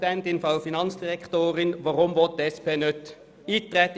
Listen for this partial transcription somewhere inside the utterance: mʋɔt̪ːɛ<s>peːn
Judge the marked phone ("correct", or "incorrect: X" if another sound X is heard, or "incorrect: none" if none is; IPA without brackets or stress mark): correct